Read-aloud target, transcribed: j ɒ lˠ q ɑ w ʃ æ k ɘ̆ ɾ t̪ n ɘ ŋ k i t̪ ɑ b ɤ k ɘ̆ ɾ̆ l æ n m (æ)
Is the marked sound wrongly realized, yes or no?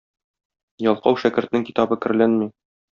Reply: yes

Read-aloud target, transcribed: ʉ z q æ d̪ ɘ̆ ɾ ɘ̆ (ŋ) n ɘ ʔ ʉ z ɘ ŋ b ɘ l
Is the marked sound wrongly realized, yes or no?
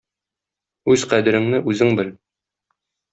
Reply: no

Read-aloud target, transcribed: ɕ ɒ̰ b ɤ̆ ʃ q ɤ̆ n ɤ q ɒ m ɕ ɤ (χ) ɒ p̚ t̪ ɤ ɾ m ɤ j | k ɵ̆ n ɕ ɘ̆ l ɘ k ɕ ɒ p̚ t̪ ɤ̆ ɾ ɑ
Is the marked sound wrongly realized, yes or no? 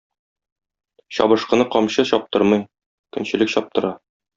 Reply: yes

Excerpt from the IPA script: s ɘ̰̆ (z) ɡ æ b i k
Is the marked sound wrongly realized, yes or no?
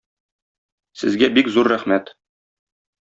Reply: no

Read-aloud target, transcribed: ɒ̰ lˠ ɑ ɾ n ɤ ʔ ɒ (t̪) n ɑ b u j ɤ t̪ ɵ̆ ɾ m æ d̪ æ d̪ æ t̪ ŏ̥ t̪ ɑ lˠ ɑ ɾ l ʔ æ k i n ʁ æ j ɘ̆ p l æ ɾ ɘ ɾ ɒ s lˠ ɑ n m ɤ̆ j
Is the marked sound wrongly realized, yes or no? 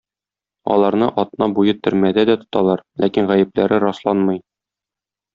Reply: no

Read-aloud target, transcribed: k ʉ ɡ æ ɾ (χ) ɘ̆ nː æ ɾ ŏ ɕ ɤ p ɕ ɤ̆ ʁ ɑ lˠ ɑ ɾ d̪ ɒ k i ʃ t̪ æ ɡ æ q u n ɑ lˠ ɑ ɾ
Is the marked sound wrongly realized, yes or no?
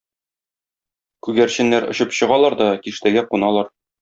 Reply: yes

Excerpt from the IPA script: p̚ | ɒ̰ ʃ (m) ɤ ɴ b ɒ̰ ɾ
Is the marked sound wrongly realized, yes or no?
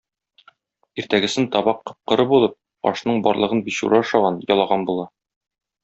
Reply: yes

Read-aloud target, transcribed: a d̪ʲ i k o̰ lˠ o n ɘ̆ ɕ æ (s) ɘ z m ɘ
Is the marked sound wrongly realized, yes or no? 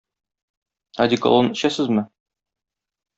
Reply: no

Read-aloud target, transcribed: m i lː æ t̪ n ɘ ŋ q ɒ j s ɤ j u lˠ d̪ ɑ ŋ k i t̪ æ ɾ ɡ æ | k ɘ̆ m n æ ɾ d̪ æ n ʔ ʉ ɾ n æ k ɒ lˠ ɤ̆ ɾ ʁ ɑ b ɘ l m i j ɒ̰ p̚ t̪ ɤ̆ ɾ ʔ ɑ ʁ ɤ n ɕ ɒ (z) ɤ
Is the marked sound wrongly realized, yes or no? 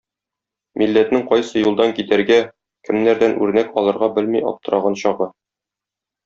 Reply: yes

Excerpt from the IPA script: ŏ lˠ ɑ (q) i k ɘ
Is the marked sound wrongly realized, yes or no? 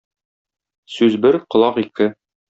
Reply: no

